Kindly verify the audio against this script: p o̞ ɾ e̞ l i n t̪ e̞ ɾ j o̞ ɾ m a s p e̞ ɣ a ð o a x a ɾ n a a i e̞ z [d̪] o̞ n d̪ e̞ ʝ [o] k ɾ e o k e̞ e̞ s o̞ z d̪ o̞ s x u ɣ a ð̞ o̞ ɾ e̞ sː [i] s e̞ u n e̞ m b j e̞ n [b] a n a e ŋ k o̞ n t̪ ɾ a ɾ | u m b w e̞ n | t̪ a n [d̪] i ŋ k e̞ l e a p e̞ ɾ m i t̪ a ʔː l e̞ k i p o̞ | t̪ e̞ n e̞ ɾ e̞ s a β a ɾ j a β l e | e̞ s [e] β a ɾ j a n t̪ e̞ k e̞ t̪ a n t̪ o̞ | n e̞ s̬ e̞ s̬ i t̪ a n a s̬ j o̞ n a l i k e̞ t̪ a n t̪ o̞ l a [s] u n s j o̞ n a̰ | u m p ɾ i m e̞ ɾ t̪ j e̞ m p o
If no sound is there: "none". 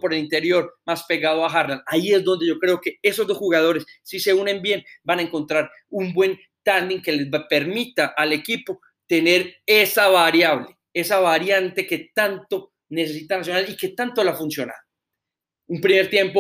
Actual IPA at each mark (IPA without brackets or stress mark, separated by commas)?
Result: d̪, o, i, b, d̪, a, f